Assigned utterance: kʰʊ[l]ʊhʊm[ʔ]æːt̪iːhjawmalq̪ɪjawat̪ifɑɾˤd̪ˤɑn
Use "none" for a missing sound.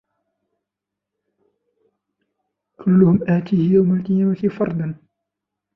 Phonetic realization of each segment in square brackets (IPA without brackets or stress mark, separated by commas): lː, ʔ